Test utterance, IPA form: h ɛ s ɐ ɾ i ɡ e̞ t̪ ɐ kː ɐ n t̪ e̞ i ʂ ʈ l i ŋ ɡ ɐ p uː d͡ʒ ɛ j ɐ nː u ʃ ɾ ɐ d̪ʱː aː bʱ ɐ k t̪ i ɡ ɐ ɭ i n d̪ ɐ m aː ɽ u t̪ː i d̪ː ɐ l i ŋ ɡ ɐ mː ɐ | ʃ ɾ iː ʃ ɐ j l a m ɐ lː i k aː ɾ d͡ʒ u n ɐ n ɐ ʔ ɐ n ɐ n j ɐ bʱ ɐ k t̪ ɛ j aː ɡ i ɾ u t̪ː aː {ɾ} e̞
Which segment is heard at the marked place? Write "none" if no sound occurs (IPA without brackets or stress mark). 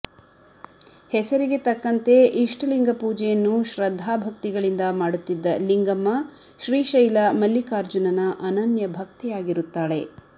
ɭ